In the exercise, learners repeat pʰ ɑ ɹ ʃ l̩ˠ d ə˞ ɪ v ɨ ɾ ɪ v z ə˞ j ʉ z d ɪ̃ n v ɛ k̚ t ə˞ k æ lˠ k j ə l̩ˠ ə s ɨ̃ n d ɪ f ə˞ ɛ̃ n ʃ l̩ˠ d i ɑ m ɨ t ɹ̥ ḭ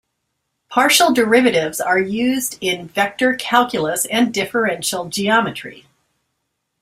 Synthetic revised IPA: pʰ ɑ ɹ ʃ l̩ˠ d ə˞ ɪ v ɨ ɾ ɪ v z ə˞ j ʉ z d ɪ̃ n v ɛ k̚ t ə˞ kʰ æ lˠ k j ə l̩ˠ ə s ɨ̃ n d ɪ f ə˞ ɛ̃ n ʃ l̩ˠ d͡ʒ i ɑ m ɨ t ɹ̥ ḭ